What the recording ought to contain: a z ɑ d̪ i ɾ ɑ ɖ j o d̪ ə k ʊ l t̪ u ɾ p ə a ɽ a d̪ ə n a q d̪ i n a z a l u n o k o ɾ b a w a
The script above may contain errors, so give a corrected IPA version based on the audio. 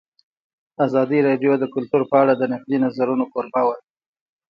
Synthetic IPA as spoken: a z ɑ d̪ i ɾ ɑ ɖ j o d̪ ə k ʊ l t̪ u ɾ p ə a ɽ a d̪ ə n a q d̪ i n a z a ɾ u n o k o ɾ b a w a